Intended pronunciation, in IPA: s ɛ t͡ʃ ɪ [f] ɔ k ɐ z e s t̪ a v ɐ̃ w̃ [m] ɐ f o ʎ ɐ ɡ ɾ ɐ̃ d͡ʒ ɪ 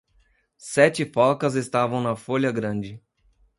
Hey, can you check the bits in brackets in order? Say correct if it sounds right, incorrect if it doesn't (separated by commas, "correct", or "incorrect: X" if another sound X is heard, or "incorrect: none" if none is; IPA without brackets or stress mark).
correct, incorrect: n